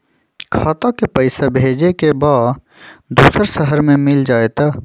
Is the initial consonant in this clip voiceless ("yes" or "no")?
yes